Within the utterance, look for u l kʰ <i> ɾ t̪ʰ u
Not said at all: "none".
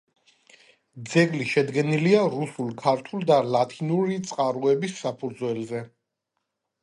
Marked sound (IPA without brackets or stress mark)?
a